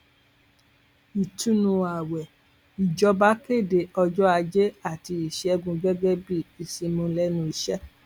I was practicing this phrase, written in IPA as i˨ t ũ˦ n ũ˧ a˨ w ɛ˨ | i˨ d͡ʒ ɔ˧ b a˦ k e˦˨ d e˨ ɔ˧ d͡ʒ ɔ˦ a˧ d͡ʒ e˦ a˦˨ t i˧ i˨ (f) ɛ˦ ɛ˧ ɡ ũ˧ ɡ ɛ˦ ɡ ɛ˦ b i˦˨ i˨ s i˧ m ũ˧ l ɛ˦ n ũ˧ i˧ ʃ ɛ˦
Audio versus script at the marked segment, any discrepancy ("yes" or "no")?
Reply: yes